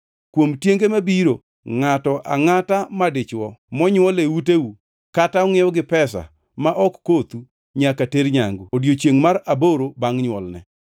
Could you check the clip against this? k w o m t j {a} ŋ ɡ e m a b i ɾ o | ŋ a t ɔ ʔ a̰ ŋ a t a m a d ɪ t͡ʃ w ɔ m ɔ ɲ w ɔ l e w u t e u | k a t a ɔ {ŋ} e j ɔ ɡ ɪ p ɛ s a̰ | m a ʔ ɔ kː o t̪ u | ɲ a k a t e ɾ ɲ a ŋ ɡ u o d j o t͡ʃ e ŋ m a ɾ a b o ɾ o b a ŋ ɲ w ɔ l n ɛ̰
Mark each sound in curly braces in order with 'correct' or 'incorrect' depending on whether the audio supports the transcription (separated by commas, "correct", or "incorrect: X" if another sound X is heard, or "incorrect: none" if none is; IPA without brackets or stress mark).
incorrect: e, correct